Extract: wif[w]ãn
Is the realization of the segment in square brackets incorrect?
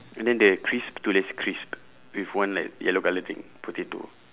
no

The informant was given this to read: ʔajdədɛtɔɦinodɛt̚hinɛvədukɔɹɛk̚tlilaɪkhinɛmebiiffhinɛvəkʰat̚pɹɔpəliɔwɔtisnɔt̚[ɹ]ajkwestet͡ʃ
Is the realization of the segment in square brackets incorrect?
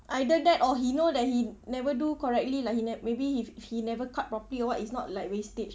yes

